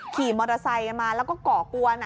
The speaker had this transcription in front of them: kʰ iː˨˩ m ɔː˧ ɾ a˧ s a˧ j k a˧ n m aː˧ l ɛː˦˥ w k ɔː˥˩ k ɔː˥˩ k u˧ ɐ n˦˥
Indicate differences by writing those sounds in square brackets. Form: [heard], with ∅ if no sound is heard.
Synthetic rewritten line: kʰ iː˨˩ m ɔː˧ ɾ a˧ s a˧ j k a˧ n m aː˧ l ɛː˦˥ w k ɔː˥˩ k [ɔː˨˩] k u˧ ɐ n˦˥